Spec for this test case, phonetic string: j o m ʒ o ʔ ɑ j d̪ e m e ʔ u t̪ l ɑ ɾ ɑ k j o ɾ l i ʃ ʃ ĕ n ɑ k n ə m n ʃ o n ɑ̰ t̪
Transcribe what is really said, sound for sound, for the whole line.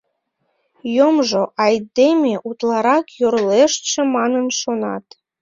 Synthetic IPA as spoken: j o m ʒ o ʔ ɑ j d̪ e m e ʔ u t̪ l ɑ ɾ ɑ k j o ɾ l e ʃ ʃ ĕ m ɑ n ə n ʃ o n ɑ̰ t̪